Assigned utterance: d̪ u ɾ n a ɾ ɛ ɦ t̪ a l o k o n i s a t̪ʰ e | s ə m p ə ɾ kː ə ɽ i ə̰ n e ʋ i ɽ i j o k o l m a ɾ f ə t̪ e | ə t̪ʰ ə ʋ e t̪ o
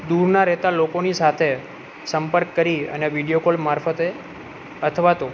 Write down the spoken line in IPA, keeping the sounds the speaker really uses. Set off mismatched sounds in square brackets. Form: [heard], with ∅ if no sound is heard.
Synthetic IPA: d̪ u ɾ n a ɾ ɛ ɦ t̪ a l o k o n i s a t̪ʰ e | s ə m p ə ɾ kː ə [ɾ] i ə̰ n e ʋ i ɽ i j o k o l m a ɾ f ə t̪ e | ə t̪ʰ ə ʋ [a] t̪ o